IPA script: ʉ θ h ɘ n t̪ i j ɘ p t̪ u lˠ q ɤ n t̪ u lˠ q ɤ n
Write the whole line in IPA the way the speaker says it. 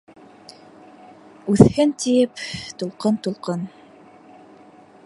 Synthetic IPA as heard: ʉ θ h ɘ n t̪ i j ɘ p t̪ u lˠ q ɤ n t̪ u lˠ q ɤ n

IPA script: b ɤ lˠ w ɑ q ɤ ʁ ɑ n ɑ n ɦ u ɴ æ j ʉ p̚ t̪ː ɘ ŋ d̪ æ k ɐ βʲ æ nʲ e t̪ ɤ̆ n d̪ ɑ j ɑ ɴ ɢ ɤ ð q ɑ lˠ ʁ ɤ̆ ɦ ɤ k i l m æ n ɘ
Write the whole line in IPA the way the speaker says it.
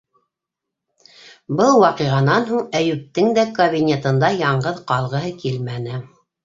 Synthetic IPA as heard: b ɤ lˠ w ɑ q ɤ ʁ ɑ n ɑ n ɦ u ɴ æ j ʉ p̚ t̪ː ɘ ŋ d̪ æ k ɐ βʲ i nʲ e t̪ ɤ̆ n d̪ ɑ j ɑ ɴ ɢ ɤ ð q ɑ lˠ ʁ ɤ̆ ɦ ɤ k i l m æ n ɘ

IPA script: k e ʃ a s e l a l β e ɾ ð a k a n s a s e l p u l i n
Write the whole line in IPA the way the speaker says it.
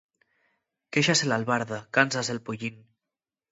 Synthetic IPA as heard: k e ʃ a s e l a l β a ɾ ð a k a n s a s e l p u ʎ i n

